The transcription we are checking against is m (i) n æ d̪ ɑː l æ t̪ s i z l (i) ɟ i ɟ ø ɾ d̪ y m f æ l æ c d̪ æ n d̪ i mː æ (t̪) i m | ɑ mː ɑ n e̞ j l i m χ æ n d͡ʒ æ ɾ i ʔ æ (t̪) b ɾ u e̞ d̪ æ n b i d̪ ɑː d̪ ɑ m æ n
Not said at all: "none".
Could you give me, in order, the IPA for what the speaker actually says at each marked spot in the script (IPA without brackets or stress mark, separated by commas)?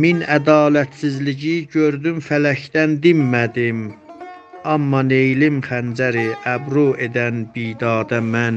i, i, d̪, none